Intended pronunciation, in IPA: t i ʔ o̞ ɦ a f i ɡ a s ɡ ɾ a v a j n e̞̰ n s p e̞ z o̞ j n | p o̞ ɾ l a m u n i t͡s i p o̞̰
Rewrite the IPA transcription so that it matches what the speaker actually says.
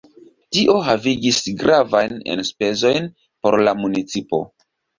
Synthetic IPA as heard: t i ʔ o̞ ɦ a v i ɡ i s ɡ ɾ a v a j n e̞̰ n s p e̞ z o̞ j n | p o̞ ɾ l a m u n i t͡s i p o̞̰